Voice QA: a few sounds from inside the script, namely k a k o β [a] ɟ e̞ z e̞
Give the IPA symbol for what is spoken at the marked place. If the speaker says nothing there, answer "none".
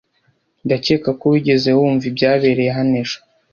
i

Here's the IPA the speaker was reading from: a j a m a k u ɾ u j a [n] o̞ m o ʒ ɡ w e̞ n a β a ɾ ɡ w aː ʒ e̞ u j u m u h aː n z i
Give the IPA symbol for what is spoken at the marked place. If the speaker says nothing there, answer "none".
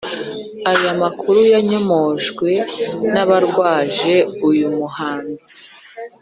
ɲ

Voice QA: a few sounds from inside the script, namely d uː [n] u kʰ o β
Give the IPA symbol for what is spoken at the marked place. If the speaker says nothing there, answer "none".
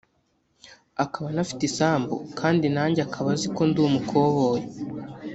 m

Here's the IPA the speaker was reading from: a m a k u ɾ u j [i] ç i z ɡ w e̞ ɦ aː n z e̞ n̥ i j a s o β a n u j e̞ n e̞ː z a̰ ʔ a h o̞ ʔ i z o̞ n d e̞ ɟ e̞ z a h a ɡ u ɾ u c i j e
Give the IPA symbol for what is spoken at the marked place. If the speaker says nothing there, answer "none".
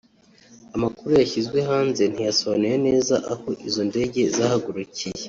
a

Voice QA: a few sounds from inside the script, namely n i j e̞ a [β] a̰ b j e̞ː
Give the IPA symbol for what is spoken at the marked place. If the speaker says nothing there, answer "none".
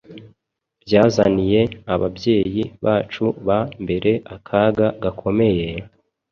β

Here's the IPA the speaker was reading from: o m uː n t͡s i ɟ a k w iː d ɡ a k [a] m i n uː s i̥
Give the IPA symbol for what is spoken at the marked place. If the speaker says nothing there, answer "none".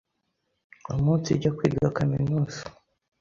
a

